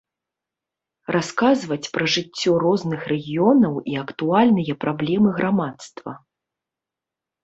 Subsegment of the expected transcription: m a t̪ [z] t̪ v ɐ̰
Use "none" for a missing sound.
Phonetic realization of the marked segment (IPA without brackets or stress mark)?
s